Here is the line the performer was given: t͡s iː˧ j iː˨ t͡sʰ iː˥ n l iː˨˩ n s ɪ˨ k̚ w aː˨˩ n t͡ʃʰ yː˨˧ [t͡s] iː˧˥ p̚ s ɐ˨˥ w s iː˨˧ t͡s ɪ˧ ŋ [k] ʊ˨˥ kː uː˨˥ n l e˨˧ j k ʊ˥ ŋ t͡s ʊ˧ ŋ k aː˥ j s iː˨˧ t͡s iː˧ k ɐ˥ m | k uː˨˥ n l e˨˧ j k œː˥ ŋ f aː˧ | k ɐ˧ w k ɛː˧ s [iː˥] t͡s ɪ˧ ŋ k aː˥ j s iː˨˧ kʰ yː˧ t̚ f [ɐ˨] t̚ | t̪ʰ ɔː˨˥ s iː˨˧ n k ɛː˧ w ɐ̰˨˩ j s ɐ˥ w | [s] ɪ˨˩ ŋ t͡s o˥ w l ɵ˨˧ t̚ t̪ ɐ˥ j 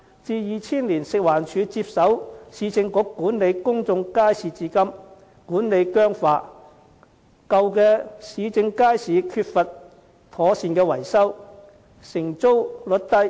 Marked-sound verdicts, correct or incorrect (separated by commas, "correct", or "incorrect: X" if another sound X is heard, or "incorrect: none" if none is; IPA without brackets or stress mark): correct, correct, incorrect: iː˨˧, correct, correct